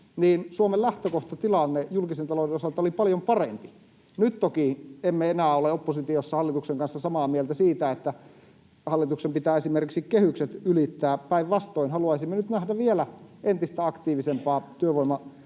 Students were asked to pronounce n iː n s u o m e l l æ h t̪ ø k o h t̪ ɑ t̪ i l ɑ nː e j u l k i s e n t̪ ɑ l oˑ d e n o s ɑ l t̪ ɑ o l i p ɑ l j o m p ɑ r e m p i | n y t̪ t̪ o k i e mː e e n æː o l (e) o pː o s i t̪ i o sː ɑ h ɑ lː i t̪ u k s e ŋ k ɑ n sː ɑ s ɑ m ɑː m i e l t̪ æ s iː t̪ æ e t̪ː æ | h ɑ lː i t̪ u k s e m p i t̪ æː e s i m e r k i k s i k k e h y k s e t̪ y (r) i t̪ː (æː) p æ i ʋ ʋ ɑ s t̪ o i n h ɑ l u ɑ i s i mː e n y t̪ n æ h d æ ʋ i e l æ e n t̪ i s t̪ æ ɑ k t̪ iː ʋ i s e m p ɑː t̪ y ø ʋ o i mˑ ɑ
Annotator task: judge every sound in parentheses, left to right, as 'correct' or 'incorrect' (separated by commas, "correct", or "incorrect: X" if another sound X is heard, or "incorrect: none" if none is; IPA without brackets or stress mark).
correct, incorrect: l, correct